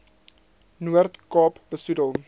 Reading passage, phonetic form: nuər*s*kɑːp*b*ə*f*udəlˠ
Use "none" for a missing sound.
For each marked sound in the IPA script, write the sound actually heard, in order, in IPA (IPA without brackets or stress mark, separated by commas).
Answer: t, b, s